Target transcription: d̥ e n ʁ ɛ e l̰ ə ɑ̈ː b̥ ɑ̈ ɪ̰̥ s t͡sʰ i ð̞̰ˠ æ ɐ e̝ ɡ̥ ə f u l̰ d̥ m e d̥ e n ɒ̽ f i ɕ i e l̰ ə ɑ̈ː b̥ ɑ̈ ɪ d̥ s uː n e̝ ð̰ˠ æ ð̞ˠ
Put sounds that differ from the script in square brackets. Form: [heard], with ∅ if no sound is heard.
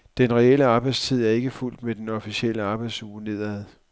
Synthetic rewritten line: d̥ e n ʁ ɛ e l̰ ə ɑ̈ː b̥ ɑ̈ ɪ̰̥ s t͡sʰ i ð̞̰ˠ æ ɐ e̝ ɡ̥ ə f u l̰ d̥ m e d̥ e n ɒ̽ f i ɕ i e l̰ ə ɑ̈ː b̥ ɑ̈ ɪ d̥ s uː n e̝ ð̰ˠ æ ð̞ˠ